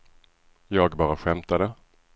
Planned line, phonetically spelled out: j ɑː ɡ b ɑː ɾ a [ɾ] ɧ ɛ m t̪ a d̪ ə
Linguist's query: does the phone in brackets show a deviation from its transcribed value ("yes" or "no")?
yes